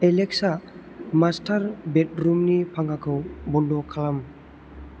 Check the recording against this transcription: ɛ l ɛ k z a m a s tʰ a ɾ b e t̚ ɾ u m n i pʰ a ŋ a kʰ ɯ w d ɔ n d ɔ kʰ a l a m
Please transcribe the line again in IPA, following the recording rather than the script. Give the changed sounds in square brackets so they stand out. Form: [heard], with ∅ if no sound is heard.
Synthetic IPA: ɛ l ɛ k [s] a m a s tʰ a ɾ b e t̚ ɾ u m n i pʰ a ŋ a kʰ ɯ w [b] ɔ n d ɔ kʰ a l a m